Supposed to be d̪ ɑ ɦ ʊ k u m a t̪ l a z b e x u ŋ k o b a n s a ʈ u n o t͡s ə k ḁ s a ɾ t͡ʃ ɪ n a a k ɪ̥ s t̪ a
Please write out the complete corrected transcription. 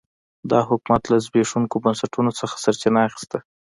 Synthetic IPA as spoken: d̪ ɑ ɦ ʊ k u m a t̪ l a z b e ʂ u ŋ k o b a n s a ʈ u n o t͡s ə x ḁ s a ɾ t͡ʃ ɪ n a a x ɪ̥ s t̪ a